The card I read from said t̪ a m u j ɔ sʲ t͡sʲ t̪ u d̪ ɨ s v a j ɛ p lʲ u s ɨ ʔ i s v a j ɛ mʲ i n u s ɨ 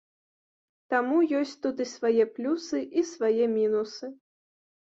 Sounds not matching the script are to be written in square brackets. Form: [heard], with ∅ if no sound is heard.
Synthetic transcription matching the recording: t̪ a m u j ɔ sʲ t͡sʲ t̪ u d̪ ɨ s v a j ɛ p lʲ u s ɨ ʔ i s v a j ɛ mʲ i n u s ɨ